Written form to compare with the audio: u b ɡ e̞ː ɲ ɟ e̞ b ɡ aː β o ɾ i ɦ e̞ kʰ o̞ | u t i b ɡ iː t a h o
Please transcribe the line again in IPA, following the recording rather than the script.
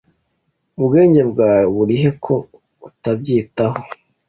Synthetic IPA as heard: u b ɡ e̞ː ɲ ɟ e̞ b ɡ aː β u ɾ i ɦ e̞ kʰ o̞ | u t a b ɟ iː t a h o